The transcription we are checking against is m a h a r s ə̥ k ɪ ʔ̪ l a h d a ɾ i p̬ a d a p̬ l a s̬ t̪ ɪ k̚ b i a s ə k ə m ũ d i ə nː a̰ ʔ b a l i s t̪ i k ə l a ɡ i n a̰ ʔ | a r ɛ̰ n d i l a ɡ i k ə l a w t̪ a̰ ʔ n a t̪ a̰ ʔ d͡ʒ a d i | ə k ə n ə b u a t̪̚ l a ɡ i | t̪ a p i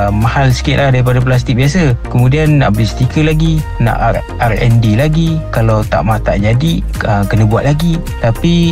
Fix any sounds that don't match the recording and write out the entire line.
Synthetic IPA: m a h a l s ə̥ k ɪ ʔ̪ l a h d a ɾ i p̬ a d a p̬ l a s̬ t̪ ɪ k̚ b i a s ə k ə m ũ d i a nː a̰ ʔ b ə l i s t̪ i k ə l a ɡ i n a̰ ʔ | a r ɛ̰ n d i l a ɡ i k a l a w t̪ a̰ ʔ m a t̪ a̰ ʔ d͡ʒ a d i | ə k ə n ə b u a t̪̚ l a ɡ i | t̪ a p i